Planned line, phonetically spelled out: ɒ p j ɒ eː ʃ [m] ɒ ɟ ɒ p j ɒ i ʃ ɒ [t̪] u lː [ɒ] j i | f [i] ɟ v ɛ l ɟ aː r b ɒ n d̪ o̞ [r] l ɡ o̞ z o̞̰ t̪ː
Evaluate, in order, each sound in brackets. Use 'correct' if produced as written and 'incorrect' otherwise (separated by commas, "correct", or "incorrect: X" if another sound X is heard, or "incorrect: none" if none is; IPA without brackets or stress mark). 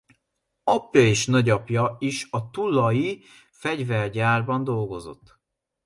incorrect: n, correct, correct, incorrect: ɛ, incorrect: none